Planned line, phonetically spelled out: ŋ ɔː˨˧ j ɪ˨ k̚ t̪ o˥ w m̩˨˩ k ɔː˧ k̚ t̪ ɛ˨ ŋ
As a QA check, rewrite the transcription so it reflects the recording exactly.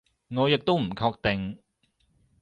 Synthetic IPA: ŋ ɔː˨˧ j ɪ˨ k̚ t̪ o˥ w m̩˨˩ kʰ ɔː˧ k̚ t̪ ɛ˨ ŋ

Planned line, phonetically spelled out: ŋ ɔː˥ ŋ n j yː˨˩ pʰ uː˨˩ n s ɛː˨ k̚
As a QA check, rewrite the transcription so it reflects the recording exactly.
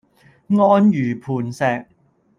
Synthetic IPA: ŋ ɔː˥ n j yː˨˩ pʰ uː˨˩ n s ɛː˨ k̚

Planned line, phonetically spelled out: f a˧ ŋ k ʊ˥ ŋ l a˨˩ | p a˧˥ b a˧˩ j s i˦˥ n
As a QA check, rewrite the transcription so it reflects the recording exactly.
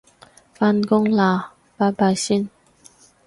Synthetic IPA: f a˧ n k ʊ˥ ŋ l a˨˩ | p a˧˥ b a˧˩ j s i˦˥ n

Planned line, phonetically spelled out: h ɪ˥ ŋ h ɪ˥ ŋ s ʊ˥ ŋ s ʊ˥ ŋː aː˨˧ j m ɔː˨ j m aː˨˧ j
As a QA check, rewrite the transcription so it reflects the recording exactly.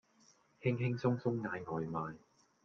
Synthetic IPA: h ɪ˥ ŋ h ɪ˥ ŋ s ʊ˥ ŋ s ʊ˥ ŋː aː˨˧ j ŋ ɔː˨ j m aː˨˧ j

